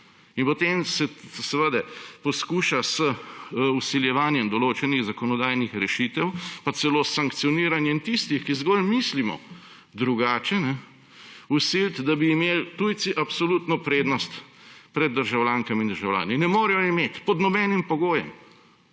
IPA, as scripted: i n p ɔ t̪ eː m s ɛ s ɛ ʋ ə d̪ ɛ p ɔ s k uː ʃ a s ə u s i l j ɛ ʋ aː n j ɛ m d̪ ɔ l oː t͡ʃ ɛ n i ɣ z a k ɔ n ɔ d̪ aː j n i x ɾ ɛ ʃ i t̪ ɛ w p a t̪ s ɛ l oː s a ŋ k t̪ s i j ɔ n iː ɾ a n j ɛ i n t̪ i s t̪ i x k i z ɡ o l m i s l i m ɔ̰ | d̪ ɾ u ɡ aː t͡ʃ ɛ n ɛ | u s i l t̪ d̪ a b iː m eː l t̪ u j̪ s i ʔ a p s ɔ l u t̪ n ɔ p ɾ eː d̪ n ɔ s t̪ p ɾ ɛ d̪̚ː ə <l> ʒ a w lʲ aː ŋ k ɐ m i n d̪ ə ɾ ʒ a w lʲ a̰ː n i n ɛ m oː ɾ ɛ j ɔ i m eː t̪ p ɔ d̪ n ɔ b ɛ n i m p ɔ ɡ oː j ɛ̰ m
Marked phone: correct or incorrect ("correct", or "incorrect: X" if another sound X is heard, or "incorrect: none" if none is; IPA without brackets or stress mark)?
incorrect: ɾ